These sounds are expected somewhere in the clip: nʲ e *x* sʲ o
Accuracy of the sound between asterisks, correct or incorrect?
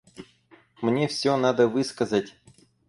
incorrect